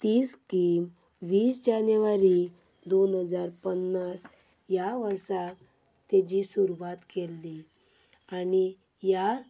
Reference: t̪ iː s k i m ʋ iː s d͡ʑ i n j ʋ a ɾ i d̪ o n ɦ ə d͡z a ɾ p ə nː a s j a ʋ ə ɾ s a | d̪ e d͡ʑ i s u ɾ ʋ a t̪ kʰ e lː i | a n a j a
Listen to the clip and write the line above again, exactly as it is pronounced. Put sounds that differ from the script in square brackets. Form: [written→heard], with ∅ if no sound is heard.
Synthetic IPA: t̪ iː s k i m ʋ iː s d͡ʑ [i→a] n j ʋ a ɾ i d̪ o n ɦ ə d͡z a ɾ p ə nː a s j a ʋ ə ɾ s a | [d̪→t̪] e d͡ʑ i s u ɾ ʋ a t̪ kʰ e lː i | a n [a→i] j a